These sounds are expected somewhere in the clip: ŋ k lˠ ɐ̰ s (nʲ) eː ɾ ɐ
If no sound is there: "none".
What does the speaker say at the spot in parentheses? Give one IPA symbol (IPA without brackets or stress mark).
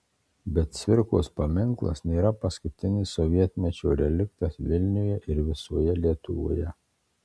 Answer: nʲ